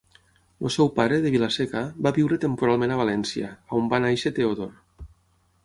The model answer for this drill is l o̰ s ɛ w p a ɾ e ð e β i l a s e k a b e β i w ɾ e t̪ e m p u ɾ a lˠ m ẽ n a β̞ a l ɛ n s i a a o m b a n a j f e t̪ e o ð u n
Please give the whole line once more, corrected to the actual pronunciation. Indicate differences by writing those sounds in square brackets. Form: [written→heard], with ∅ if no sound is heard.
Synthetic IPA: l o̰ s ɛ w p a ɾ e ð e β i l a s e k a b [e→a] β i w ɾ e t̪ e m p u ɾ a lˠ m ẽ n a β̞ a l ɛ n s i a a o m b a n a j [f→ʃ] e t̪ e o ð [u→o] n